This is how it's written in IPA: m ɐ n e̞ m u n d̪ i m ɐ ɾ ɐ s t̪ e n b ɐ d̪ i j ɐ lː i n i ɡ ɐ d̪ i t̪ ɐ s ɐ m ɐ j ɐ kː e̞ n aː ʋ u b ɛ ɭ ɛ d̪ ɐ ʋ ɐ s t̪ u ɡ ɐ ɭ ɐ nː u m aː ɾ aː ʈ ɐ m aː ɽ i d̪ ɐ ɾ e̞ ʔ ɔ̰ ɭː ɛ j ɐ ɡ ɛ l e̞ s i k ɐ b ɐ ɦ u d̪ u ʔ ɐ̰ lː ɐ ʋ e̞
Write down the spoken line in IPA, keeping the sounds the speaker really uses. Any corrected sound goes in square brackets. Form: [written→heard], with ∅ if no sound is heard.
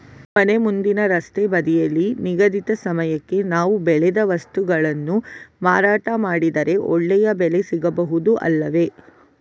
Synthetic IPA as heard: m ɐ n e̞ m u n d̪ i [m→n] ɐ ɾ ɐ s t̪ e [n→∅] b ɐ d̪ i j ɐ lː i n i ɡ ɐ d̪ i t̪ ɐ s ɐ m ɐ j ɐ kː e̞ n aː ʋ u b ɛ ɭ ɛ d̪ ɐ ʋ ɐ s t̪ u ɡ ɐ ɭ ɐ nː u m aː ɾ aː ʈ ɐ m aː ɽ i d̪ ɐ ɾ e̞ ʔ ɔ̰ ɭː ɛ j ɐ [ɡ→b] ɛ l e̞ s i [k→ɡ] ɐ b ɐ ɦ u d̪ u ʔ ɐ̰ lː ɐ ʋ e̞